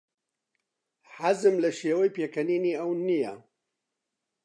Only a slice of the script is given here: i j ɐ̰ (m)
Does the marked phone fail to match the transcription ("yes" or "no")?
yes